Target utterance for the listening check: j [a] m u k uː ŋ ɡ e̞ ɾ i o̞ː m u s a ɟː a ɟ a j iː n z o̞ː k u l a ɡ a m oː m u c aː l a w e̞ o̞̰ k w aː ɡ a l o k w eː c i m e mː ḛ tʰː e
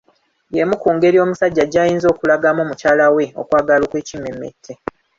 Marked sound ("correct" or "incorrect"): incorrect